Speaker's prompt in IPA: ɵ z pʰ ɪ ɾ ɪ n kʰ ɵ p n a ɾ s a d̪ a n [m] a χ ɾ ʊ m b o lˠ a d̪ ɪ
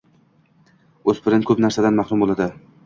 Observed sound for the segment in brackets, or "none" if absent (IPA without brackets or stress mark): m